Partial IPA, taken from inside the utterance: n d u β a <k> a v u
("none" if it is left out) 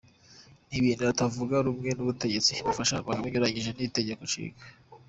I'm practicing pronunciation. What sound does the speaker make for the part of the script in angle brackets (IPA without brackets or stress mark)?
t